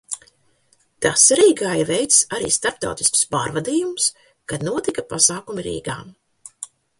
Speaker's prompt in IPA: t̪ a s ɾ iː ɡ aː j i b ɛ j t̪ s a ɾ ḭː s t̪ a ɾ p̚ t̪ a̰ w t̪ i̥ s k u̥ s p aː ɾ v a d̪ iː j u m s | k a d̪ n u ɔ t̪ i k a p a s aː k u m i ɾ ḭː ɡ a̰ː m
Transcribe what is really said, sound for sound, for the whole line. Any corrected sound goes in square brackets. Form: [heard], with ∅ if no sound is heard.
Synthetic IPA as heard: t̪ a s ɾ iː ɡ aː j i [v] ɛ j t̪ s a ɾ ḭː s t̪ a ɾ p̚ t̪ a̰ w t̪ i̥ s k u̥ s p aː ɾ v a d̪ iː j u m s | k a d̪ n u ɔ t̪ i k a p a s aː k u m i ɾ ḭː ɡ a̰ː m